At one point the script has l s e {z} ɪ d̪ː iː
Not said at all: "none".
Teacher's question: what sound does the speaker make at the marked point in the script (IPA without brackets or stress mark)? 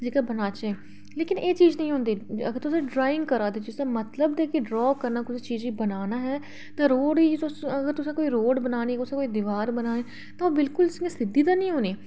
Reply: s